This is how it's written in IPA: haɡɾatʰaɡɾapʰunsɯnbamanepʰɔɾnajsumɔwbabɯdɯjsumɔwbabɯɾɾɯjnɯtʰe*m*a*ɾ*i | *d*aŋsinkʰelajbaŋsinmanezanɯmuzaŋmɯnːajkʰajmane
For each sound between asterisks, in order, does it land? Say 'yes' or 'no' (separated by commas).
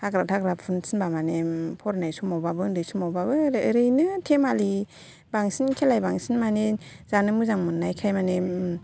yes, no, no